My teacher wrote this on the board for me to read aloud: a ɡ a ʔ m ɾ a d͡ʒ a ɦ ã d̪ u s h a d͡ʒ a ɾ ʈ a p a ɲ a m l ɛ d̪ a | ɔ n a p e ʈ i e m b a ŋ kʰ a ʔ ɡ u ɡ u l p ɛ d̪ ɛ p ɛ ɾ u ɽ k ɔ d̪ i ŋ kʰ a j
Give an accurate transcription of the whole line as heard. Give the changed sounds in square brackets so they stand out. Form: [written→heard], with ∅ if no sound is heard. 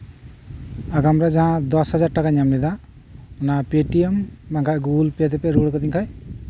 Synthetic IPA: a ɡ a [ʔ→∅] m ɾ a d͡ʒ a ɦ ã d̪ [u→ɔ] s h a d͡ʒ a ɾ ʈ a [p→k] a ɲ a m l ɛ d̪ a | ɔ n a p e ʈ i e m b a ŋ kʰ a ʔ ɡ u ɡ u l p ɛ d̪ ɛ p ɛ ɾ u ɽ k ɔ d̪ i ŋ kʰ a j